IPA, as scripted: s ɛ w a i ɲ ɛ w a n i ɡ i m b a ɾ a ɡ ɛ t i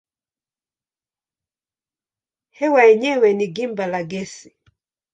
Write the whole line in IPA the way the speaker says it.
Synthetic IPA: h ɛ w a ɛ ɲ ɛ w ɛ n i ɡ i m b a l a ɡ ɛ s i